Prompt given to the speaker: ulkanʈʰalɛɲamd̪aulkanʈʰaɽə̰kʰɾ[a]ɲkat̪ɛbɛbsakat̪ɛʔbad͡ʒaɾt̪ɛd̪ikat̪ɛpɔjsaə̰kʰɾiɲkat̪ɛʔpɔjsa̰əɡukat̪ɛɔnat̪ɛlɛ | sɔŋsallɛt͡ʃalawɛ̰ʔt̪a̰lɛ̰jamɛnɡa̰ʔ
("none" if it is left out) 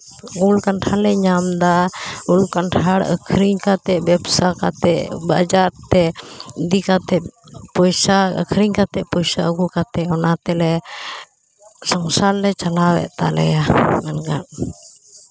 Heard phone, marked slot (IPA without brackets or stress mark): i